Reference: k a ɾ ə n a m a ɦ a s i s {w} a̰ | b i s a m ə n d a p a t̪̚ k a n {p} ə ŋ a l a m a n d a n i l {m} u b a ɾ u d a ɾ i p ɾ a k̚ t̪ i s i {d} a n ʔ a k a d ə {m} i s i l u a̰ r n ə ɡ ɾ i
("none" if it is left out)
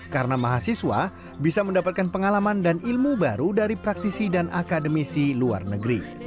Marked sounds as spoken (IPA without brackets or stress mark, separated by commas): w, p, m, d, m